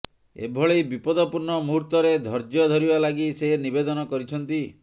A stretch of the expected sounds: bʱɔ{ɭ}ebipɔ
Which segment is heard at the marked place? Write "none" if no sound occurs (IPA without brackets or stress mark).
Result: ɭ